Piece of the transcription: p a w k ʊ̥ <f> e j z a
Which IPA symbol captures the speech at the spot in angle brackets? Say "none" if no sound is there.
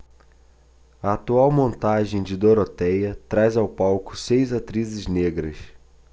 s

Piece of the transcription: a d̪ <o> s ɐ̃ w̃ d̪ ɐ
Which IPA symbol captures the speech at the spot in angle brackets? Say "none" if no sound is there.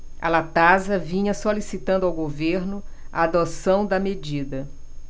o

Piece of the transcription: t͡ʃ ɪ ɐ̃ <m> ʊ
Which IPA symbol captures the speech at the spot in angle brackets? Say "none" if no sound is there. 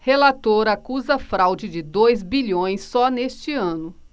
n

